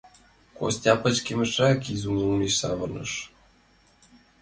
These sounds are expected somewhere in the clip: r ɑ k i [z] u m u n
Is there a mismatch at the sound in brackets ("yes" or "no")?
no